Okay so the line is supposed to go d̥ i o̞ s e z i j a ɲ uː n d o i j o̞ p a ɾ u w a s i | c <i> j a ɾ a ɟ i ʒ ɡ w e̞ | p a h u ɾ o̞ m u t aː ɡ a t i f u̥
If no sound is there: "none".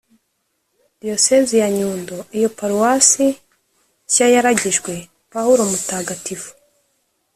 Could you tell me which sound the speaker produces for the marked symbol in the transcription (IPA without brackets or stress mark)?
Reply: a